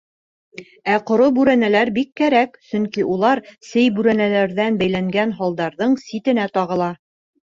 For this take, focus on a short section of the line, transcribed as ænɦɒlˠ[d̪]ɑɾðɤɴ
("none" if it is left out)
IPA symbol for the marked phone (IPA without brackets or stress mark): d̪